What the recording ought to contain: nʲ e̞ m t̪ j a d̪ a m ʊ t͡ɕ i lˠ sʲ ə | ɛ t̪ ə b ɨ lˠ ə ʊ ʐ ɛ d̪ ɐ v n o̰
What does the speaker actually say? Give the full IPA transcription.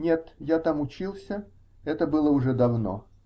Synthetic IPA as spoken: nʲ e̞ t̪ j a t̪ a m ʊ t͡ɕ i lˠ sʲ ə | ɛ t̪ ə b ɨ lˠ ə ʊ ʐ ɛ d̪ ɐ v n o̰